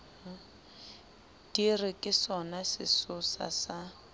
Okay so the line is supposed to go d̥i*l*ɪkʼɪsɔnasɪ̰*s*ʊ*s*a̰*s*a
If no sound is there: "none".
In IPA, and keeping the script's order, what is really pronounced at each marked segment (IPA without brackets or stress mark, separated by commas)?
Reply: r, s, s, s